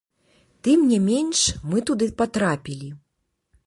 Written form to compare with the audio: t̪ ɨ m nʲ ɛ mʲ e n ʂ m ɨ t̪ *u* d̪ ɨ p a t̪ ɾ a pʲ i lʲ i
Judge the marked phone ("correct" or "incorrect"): correct